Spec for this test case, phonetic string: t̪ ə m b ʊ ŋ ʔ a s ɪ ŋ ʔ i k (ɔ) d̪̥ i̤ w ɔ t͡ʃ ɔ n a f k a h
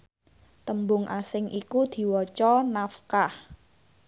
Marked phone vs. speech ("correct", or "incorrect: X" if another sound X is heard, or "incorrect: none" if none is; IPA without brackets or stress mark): incorrect: u